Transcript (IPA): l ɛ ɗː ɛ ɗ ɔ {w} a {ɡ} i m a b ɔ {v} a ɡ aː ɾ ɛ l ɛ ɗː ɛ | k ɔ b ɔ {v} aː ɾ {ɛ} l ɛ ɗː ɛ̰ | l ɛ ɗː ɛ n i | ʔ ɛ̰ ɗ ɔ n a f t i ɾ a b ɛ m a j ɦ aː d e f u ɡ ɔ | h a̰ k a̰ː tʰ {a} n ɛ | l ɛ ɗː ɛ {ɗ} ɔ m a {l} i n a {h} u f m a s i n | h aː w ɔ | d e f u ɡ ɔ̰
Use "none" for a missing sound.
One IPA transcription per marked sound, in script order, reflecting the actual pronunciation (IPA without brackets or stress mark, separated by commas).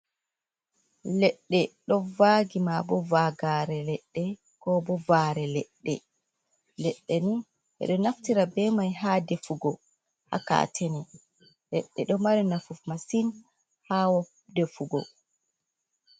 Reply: v, ɡ, v, v, ɛ, ɛ, ɗ, ɾ, f